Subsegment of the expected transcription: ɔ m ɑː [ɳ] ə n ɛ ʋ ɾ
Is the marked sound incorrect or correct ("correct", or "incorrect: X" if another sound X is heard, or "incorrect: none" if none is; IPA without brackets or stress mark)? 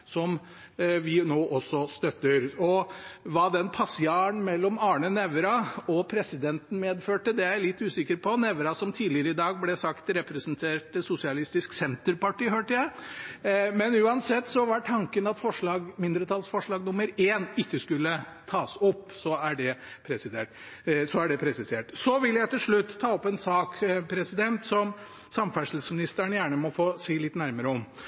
correct